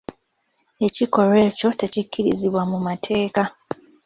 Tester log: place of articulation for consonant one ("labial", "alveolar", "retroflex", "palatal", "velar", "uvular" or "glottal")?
palatal